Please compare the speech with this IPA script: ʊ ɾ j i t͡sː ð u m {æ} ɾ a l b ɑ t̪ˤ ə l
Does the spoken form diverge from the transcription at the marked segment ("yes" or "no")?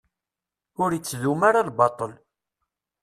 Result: yes